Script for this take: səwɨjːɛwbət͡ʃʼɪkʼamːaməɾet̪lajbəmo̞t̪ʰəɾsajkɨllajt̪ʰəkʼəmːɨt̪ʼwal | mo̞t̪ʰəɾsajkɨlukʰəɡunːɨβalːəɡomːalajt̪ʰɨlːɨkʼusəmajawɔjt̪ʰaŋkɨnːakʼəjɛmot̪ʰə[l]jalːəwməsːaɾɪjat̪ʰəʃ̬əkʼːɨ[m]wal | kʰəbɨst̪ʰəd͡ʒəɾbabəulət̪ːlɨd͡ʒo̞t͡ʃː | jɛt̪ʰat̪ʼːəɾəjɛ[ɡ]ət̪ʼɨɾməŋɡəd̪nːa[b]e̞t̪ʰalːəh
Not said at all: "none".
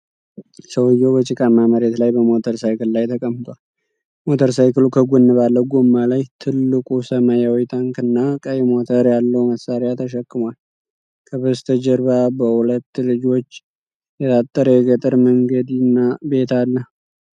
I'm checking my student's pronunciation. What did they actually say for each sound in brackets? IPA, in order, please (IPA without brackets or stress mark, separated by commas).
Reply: ɾ, m, ɡ, b